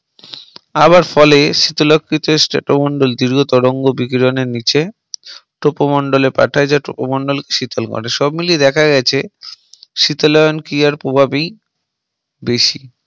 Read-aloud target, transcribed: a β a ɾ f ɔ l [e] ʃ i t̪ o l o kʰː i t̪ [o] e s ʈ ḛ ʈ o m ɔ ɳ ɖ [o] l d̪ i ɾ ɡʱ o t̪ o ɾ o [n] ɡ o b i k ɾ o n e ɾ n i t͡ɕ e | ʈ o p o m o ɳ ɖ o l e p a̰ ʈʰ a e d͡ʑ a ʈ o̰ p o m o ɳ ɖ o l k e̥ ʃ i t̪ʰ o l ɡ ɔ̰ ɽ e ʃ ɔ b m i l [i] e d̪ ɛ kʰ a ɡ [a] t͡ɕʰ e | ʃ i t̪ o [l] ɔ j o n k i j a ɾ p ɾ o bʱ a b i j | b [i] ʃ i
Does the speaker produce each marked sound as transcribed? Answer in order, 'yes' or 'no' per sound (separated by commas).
yes, yes, yes, no, yes, no, yes, no